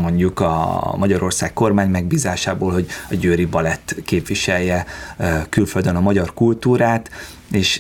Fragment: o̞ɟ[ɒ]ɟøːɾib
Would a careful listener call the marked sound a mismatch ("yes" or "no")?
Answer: no